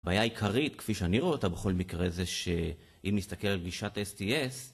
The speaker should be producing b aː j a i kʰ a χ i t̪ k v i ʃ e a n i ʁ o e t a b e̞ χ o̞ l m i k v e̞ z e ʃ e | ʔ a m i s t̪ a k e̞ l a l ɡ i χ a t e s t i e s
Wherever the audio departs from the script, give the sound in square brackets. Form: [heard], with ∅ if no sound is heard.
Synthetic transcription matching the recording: b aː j a i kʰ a [ʁ] i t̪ k [f] i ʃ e a n i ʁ o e t a b e̞ χ o̞ l m i k [ʁ] e̞ z e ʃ e | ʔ [i] m i s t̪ a k e̞ l a l ɡ i [ʃ] a t e s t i e s